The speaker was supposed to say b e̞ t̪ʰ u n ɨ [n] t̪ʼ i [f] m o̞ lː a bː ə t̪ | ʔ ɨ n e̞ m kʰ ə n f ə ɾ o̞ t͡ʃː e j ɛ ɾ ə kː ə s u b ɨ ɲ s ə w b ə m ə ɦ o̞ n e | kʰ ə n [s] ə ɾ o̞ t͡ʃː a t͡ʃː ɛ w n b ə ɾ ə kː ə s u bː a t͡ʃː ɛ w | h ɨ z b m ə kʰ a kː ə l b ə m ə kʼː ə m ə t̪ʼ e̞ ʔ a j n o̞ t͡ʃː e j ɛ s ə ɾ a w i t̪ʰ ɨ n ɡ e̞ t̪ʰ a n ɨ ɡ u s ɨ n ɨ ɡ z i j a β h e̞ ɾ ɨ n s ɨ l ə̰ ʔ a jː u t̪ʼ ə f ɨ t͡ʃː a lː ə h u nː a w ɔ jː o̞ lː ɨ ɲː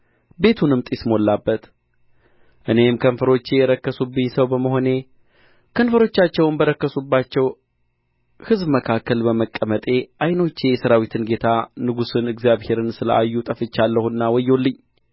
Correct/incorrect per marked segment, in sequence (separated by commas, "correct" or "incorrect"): incorrect, incorrect, incorrect